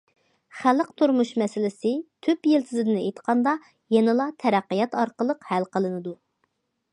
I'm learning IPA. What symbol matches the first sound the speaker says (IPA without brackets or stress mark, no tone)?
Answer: χ